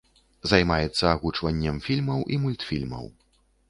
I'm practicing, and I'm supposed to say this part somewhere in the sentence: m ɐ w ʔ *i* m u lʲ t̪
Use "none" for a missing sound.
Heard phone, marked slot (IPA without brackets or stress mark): i